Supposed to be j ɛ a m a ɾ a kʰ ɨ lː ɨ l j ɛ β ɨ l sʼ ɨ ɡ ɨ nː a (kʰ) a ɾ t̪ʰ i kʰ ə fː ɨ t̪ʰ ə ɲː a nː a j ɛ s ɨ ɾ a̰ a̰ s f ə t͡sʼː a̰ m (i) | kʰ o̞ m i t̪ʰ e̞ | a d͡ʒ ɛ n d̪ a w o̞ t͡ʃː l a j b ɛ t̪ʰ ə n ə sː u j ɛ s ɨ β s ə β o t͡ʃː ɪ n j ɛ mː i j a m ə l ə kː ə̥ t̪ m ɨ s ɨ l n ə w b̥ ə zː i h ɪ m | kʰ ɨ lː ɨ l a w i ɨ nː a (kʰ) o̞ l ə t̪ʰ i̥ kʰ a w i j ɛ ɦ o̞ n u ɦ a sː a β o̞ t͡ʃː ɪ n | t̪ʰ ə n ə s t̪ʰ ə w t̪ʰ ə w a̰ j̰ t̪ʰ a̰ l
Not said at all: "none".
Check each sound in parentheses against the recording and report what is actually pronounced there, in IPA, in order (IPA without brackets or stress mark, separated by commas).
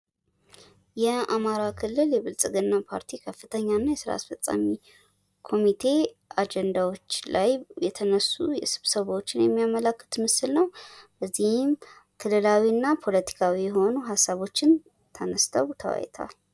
pʰ, i, pʰ